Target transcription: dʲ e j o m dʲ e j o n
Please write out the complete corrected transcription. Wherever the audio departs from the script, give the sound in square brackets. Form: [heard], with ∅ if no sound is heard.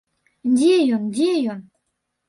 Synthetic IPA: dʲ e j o [n] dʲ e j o n